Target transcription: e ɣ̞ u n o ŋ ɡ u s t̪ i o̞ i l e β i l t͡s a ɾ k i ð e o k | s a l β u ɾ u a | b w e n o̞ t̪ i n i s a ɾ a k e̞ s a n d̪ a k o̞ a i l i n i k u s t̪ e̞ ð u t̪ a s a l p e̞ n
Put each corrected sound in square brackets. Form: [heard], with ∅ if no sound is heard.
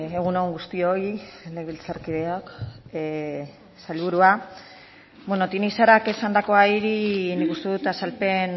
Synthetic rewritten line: e ɣ̞ u n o ŋ ɡ u s t̪ i o̞ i l e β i l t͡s a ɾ k i ð e o k | s a l β u ɾ u a | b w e n o̞ t̪ i n i s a ɾ a k e̞ s a n d̪ a k o̞ a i [ɾ] i n i k u s t̪ e̞ ð u t̪ a s a l p e̞ n